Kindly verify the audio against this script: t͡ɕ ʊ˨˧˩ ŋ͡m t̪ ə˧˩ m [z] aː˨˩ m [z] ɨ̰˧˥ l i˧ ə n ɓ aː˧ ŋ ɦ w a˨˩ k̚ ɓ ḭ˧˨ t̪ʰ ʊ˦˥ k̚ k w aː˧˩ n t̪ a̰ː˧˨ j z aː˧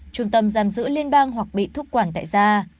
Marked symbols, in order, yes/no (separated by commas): yes, yes